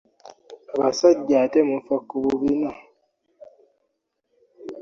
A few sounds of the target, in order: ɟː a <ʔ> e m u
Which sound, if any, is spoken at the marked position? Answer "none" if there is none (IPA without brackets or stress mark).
t